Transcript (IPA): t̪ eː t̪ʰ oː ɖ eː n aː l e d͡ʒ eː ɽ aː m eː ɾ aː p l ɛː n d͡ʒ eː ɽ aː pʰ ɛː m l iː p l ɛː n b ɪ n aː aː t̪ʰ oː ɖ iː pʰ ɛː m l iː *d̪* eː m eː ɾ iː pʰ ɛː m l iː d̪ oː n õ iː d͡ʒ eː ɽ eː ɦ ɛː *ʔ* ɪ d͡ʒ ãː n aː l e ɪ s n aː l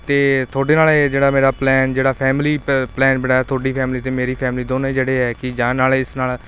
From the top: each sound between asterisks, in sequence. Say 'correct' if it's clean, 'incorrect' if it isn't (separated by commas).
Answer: incorrect, incorrect